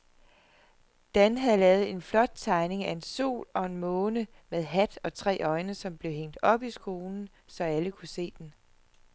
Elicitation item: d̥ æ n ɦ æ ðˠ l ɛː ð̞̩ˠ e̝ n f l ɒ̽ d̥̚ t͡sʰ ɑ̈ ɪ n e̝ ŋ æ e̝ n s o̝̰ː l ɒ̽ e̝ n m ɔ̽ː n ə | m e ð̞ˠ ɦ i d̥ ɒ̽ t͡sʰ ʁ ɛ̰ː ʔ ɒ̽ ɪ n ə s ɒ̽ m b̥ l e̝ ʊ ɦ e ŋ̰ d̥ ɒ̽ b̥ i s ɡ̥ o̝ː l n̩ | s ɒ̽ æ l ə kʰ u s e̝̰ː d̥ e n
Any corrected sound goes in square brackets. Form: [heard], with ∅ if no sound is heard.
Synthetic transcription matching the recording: d̥ æ n ɦ æ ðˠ l ɛː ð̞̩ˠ e̝ n f l ɒ̽ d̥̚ t͡sʰ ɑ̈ ɪ n e̝ ŋ æ e̝ n s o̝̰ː l ɒ̽ e̝ n m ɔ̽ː n ə | m e ð̞ˠ ɦ [æ] d̥ ɒ̽ t͡sʰ ʁ ɛ̰ː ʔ ɒ̽ ɪ n ə s ɒ̽ m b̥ l e̝ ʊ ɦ e ŋ̰ d̥ ɒ̽ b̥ i s ɡ̥ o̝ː l n̩ | s ɒ̽ æ l ə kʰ u s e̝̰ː d̥ e n